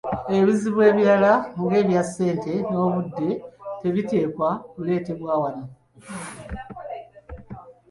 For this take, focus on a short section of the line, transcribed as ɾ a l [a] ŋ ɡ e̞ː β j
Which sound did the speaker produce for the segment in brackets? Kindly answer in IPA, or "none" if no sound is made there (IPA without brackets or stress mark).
a